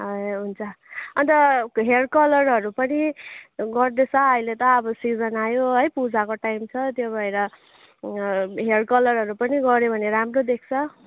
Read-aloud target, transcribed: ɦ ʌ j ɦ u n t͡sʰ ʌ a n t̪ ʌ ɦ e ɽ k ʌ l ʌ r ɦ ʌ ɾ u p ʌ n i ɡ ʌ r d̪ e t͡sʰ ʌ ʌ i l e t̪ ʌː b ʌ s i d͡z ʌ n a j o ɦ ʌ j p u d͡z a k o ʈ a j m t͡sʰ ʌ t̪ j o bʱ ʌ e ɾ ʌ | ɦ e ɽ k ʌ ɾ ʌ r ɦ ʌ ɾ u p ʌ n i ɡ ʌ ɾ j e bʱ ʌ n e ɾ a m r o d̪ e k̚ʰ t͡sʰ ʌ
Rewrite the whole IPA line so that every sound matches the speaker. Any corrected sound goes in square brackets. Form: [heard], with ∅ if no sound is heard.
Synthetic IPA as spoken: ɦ ʌ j ɦ u n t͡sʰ ʌ [ʌ] n t̪ ʌ ɦ e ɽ k ʌ l ʌ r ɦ ʌ ɾ u p ʌ n i ɡ ʌ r d̪ e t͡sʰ ʌ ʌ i l e t̪ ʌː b ʌ s i d͡z ʌ n a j o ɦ ʌ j p u d͡z a k o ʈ a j m t͡sʰ ʌ t̪ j o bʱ ʌ e ɾ ʌ | ɦ e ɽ k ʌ [l] ʌ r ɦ ʌ ɾ u p ʌ n i ɡ ʌ ɾ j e bʱ ʌ n e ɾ a m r o d̪ e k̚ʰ t͡sʰ ʌ